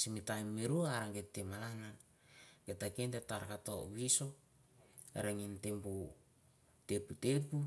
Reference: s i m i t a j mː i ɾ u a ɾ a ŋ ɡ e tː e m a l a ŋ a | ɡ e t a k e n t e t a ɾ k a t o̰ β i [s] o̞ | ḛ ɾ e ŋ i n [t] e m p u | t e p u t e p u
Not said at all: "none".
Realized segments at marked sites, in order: s, t

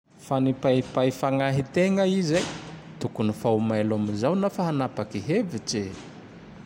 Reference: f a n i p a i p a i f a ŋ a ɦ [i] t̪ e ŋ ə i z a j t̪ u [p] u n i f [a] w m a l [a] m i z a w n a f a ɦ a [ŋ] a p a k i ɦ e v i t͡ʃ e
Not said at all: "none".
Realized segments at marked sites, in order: i, k, a, a, n

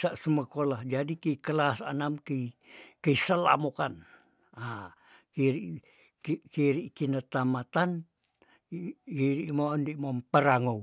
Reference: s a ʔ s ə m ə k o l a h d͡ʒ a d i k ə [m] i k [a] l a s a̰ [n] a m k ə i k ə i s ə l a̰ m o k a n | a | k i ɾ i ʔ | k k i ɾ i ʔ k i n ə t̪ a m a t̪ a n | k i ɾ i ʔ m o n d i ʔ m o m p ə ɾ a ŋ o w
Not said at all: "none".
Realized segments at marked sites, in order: none, ə, n

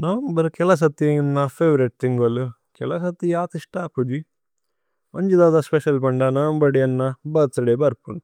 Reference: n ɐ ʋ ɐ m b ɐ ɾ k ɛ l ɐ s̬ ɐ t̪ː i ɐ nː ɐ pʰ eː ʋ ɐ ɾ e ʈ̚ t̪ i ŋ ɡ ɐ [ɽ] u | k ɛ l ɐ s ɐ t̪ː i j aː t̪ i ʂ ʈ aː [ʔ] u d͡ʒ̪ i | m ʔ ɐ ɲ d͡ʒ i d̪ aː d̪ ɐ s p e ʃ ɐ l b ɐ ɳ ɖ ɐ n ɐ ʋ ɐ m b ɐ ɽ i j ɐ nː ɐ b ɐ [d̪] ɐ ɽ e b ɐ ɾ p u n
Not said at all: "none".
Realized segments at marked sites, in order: l, p, t̪

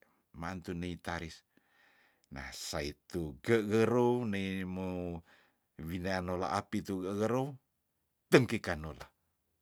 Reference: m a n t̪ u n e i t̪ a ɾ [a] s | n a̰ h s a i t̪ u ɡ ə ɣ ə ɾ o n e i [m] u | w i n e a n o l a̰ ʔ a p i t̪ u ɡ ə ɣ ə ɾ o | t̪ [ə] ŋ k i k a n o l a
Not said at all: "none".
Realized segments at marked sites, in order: i, m, ə

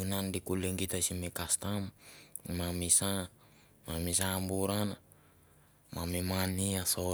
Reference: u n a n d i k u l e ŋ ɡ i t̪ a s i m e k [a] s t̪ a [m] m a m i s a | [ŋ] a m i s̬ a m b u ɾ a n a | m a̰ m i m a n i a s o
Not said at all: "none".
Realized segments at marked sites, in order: a, m, m

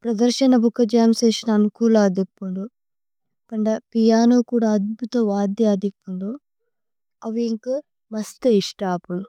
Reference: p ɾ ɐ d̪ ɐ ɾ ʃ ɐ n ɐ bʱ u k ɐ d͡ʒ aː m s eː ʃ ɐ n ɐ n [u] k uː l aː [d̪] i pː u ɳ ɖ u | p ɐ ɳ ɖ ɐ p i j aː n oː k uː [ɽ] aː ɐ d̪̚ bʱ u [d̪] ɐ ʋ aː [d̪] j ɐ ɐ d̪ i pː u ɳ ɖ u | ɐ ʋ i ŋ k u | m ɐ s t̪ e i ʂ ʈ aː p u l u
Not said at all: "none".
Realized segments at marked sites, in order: u, d̪, ɽ, t̪, d̪

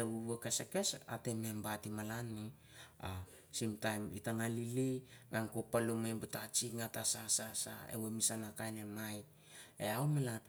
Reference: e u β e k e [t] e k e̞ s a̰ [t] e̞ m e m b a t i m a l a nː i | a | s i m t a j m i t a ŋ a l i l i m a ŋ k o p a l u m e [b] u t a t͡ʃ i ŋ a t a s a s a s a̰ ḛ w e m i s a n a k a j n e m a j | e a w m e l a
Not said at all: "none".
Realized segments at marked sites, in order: s, t, b

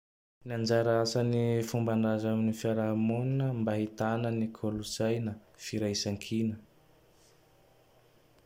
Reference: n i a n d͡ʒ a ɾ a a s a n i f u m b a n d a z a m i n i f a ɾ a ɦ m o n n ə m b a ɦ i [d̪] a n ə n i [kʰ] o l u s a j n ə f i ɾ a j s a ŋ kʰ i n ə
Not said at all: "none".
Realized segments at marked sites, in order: t̪, kʰ

